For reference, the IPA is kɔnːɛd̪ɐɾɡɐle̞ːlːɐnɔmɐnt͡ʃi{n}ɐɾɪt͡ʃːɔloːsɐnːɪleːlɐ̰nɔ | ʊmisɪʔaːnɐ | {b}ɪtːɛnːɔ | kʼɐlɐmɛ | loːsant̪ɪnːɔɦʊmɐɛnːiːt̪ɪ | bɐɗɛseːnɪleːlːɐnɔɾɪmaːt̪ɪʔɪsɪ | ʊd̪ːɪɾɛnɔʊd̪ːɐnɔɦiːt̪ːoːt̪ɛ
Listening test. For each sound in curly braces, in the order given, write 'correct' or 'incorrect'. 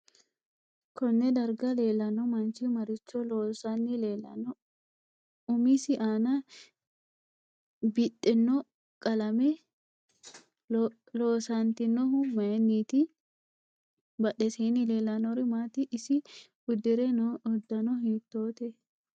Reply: incorrect, correct

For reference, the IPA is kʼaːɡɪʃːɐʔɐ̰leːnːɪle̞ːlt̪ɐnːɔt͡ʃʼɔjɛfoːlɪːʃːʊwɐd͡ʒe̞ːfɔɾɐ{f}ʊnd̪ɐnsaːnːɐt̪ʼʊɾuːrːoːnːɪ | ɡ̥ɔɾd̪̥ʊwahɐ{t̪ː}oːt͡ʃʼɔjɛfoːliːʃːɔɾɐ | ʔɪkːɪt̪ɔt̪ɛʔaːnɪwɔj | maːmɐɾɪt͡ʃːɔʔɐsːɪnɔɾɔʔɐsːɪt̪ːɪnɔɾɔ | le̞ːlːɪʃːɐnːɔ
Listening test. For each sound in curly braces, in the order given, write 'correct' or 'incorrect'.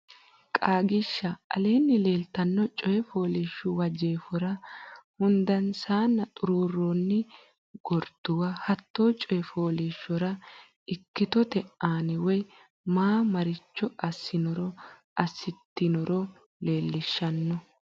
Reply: incorrect, correct

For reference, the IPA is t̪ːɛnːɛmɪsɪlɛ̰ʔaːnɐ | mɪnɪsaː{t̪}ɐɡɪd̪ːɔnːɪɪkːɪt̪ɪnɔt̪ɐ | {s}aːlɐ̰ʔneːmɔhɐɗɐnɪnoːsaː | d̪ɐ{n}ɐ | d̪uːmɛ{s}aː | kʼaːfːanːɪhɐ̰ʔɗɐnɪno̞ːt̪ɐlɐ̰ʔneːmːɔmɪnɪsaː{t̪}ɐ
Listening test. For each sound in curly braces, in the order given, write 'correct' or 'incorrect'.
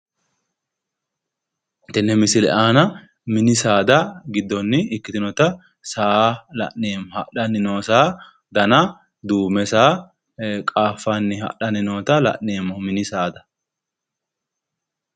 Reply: incorrect, correct, correct, correct, incorrect

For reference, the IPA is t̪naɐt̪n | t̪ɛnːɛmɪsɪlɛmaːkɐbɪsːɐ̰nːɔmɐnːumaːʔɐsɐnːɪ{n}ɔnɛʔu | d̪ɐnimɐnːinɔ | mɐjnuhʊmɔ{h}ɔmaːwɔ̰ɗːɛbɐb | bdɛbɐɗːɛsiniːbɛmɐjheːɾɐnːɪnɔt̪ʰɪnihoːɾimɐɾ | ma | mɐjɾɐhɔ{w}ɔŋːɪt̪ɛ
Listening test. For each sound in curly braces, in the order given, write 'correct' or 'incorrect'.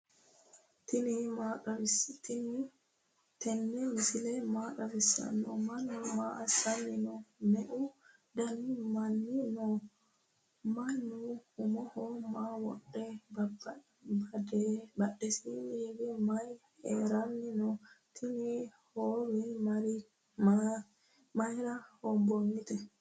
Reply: correct, correct, incorrect

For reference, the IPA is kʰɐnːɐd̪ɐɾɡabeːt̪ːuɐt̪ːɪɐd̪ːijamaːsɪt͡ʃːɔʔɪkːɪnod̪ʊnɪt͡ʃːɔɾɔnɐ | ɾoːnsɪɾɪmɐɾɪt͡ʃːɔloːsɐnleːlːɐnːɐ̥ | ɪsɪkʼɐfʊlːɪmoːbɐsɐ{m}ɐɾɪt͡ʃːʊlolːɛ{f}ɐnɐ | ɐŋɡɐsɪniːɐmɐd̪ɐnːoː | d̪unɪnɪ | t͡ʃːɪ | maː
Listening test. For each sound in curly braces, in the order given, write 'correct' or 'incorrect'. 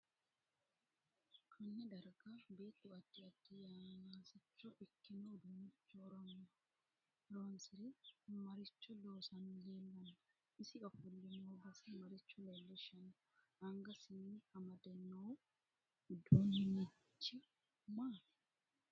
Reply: correct, incorrect

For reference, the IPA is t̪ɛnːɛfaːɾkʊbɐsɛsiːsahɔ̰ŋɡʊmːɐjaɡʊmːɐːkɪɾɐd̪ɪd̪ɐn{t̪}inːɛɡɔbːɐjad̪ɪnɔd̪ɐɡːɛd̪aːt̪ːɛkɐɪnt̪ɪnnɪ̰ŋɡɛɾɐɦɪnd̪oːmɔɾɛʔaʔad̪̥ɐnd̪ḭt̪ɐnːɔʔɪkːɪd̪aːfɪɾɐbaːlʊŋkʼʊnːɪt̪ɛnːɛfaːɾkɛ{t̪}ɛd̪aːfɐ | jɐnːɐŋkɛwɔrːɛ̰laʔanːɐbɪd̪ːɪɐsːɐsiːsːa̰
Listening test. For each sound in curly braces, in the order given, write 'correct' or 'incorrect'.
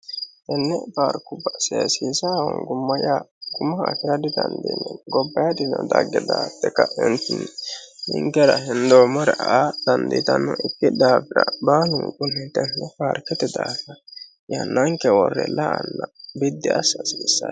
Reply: incorrect, correct

